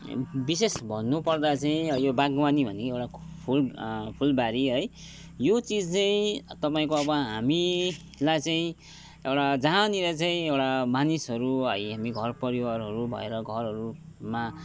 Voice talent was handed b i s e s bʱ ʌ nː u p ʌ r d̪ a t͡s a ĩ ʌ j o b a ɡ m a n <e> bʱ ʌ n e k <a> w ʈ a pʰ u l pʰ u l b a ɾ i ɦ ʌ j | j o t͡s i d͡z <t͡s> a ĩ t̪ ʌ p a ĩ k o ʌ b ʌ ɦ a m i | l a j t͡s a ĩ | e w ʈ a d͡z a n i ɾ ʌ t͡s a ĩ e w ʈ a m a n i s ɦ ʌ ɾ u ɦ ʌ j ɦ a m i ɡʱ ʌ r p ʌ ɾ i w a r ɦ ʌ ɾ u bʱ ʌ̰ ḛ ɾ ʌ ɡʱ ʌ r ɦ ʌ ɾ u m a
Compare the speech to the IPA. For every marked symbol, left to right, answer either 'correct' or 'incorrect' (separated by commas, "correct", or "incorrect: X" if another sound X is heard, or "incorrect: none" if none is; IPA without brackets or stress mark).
incorrect: i, incorrect: e, correct